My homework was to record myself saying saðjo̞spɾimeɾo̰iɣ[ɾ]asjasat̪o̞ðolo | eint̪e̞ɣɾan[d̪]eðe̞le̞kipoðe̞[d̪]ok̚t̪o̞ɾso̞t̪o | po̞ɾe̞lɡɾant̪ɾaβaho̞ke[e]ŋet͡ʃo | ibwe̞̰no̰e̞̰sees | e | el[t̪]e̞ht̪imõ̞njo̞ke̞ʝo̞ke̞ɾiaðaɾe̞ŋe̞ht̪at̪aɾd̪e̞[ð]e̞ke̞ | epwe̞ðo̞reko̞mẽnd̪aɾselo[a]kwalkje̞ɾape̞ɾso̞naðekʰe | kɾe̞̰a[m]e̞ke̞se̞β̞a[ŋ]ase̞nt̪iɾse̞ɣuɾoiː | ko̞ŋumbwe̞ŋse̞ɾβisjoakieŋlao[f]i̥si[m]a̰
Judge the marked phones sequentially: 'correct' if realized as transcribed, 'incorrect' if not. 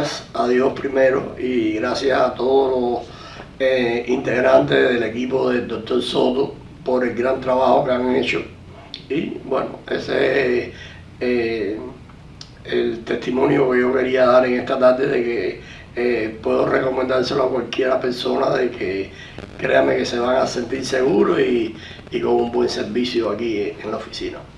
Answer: correct, incorrect: t̪, correct, incorrect: a, correct, correct, correct, correct, correct, correct, incorrect: n

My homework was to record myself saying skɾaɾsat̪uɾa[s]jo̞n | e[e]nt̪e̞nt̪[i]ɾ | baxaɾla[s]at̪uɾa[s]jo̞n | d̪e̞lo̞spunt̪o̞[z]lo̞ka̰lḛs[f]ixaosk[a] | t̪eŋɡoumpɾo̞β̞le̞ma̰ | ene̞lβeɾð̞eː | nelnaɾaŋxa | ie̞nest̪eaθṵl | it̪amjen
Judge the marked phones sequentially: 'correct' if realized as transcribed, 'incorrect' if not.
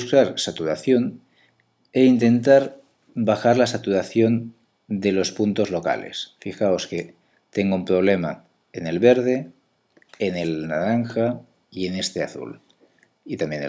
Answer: incorrect: θ, incorrect: i, incorrect: a, correct, incorrect: θ, correct, correct, incorrect: e

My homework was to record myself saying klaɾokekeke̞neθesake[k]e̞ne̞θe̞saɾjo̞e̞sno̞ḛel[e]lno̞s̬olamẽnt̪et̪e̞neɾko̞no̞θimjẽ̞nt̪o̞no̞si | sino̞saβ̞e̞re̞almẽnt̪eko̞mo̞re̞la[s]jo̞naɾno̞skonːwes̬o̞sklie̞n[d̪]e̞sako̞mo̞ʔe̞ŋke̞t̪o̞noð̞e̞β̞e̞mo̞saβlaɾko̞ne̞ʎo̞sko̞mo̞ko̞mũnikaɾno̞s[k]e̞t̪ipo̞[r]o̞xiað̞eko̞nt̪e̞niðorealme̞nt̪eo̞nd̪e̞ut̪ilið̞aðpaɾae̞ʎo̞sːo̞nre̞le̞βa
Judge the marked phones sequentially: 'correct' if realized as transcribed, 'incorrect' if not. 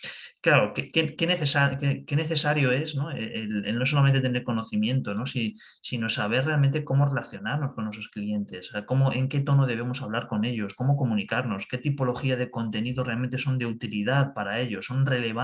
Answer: correct, correct, incorrect: θ, incorrect: t̪, correct, incorrect: l

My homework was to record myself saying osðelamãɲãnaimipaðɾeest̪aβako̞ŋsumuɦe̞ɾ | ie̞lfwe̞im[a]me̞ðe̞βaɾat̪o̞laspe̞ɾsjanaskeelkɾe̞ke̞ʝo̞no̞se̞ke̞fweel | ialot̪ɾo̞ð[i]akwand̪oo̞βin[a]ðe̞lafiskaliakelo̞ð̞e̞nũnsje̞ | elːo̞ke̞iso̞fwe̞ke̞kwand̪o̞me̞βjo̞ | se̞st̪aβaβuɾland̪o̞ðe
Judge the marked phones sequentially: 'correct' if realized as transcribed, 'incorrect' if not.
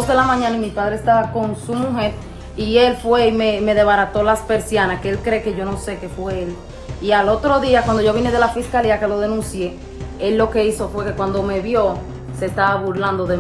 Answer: incorrect: e, correct, incorrect: e

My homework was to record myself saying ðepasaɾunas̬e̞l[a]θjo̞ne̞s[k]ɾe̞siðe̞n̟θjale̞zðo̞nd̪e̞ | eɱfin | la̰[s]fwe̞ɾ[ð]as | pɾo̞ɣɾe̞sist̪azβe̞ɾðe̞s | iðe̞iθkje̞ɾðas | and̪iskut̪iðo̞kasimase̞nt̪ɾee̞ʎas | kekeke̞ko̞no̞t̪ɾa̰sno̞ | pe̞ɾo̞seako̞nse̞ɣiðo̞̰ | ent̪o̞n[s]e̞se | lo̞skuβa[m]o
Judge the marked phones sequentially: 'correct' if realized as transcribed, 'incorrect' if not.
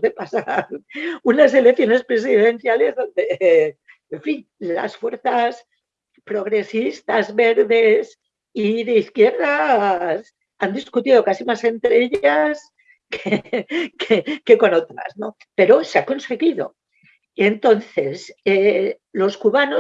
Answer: incorrect: e, incorrect: p, correct, incorrect: θ, incorrect: θ, incorrect: n

